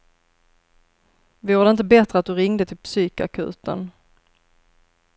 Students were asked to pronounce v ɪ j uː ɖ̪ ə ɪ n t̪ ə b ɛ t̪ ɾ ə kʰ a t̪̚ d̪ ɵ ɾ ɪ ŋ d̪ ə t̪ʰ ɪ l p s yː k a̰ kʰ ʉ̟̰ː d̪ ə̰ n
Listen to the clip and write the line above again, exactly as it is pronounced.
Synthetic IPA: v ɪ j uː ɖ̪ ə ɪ n t̪ ə b ɛ t̪ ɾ ə a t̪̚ d̪ ɵ ɾ ɪ ŋ d̪ ə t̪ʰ ɪ l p s yː k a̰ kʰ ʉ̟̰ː t̪ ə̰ n